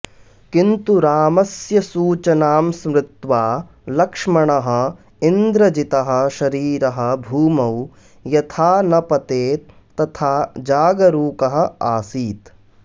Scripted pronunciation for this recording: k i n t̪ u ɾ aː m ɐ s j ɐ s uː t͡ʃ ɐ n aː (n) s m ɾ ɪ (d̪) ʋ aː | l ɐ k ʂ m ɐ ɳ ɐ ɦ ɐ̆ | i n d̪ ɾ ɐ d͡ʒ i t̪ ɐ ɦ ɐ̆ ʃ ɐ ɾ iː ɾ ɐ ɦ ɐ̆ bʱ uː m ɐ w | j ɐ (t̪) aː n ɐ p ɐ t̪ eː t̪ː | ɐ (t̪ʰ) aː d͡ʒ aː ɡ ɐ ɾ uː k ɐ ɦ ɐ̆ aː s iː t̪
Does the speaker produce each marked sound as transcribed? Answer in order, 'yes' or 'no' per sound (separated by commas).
no, no, no, yes